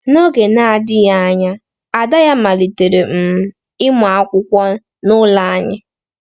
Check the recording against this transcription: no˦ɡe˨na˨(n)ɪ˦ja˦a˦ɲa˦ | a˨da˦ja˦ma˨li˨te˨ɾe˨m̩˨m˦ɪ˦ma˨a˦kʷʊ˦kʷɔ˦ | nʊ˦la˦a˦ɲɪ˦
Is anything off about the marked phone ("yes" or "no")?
yes